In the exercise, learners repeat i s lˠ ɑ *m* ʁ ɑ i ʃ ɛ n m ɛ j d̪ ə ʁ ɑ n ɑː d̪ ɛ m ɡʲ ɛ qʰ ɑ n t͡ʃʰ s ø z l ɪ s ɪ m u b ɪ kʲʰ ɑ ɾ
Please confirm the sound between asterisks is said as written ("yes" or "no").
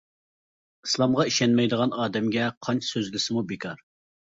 yes